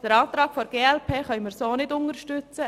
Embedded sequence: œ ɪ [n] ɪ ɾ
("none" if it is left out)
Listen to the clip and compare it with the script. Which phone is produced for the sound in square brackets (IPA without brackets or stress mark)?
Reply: m